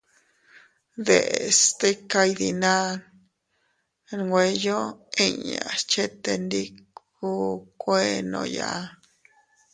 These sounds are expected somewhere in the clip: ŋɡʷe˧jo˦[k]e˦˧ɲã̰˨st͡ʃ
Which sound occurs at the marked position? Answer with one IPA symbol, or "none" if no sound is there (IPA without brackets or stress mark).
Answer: none